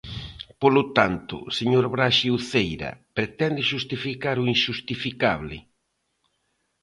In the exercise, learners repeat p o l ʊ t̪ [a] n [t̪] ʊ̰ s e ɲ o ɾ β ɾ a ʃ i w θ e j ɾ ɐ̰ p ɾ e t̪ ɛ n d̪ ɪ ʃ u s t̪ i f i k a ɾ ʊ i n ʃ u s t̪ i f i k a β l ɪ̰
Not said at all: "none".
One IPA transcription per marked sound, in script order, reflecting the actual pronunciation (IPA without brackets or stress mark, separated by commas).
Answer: a, t̪